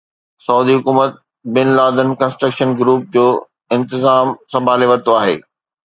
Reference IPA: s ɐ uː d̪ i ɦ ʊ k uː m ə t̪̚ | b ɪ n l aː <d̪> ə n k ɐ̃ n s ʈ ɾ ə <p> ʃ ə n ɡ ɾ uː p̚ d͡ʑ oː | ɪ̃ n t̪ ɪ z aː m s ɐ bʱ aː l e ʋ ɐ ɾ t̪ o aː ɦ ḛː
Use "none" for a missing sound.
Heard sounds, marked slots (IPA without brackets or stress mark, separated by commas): d̪, k